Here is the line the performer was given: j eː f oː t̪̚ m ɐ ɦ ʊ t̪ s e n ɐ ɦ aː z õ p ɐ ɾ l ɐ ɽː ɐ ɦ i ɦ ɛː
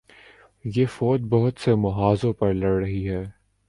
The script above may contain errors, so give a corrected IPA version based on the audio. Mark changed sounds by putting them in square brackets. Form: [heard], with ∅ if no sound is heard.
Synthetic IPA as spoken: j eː f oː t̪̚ [b] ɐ ɦ ʊ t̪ s e [m] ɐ ɦ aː z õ p ɐ ɾ l ɐ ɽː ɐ ɦ i ɦ ɛː